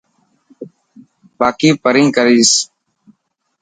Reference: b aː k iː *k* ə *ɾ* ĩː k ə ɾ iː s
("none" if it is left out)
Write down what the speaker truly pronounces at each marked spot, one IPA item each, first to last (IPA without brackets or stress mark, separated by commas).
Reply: p, ɾ